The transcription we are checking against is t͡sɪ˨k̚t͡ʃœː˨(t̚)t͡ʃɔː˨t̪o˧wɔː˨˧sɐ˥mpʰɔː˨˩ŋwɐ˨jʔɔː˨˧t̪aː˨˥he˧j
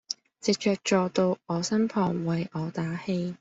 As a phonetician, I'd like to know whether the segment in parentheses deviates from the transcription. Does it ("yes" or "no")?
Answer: yes